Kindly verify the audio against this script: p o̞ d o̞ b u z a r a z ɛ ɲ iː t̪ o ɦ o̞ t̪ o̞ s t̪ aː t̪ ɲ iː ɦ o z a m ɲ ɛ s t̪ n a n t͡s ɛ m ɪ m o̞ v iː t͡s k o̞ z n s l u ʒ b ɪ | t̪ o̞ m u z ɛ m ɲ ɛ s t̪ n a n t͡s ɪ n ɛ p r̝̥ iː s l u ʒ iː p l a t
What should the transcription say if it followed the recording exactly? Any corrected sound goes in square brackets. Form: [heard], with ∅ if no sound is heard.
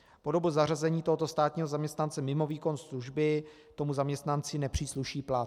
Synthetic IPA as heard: p o̞ d o̞ b u z a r a z ɛ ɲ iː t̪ o ɦ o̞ t̪ o̞ s t̪ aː t̪ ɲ iː ɦ o z a m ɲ ɛ s t̪ n a n t͡s ɛ m ɪ m o̞ v iː [∅] k o̞ [∅] n s l u ʒ b ɪ | t̪ o̞ m u z [a] m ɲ ɛ s t̪ n a n t͡s ɪ n ɛ p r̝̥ iː s l u [ʃ] iː p l a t